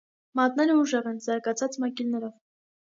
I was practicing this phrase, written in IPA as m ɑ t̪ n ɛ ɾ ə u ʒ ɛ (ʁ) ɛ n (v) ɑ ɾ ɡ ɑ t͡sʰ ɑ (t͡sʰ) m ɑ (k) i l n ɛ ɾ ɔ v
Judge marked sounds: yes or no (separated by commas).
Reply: yes, no, no, yes